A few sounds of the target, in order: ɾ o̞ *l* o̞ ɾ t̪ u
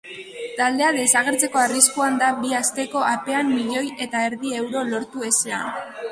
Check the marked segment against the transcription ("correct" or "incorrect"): correct